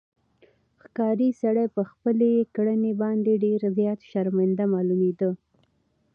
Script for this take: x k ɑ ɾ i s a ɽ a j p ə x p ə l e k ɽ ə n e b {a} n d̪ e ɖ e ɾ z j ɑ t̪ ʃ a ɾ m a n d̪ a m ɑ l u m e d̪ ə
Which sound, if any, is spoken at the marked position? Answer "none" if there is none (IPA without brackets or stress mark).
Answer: ɑ